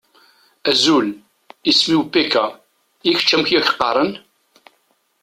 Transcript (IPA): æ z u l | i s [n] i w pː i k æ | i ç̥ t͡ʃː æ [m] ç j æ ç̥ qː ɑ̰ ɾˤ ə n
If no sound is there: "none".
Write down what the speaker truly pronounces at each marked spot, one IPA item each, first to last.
m, m

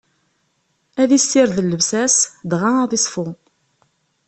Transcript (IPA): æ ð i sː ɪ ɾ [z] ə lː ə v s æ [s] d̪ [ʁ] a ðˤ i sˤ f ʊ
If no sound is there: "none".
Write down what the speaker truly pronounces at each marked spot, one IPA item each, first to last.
ð, s, ʁ

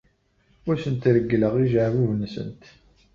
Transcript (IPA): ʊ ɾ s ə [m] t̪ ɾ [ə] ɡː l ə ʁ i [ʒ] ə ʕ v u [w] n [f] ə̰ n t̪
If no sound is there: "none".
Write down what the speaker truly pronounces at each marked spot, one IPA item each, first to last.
n, ə, ʒ, v, s

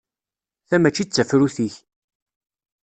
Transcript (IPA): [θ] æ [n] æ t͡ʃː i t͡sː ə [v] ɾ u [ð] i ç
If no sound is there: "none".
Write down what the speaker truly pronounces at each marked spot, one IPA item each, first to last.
θ, m, f, θ

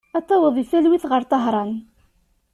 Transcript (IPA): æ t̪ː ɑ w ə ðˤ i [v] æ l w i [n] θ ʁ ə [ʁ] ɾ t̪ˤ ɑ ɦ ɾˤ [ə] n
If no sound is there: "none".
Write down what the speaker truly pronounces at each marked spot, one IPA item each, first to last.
f, none, none, ɑ

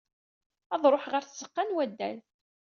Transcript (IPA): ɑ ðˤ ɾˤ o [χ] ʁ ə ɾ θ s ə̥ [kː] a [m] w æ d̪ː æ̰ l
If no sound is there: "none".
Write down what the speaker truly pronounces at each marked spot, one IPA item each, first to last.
ħ, qː, n

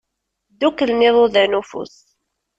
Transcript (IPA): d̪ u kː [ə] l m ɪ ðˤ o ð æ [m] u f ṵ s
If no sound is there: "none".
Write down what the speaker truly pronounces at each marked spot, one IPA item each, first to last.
ə, n

